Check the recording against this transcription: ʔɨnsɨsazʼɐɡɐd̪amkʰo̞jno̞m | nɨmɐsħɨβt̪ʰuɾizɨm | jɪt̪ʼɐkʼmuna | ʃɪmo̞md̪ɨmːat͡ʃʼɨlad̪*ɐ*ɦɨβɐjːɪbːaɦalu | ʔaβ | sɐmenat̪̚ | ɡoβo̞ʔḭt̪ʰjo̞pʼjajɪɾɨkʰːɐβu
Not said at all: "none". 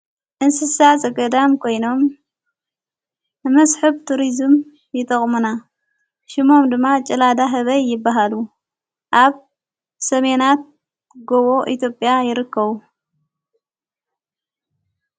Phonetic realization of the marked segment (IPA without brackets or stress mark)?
a